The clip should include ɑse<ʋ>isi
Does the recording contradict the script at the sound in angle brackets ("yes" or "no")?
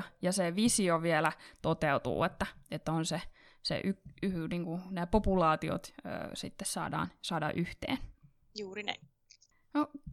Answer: no